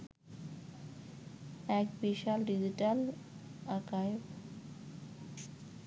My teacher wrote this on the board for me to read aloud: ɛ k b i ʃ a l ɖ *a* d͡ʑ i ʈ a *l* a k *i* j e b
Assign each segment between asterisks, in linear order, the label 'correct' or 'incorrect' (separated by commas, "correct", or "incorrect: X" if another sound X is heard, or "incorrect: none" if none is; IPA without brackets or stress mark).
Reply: incorrect: i, correct, incorrect: a